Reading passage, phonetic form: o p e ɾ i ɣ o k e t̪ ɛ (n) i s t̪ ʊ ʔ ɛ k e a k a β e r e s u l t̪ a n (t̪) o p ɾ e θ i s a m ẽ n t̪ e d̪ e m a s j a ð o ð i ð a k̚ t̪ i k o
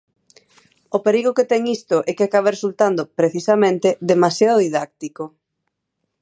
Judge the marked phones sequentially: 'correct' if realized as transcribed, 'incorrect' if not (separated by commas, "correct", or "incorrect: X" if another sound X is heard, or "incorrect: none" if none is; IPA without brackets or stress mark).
incorrect: ŋ, incorrect: d̪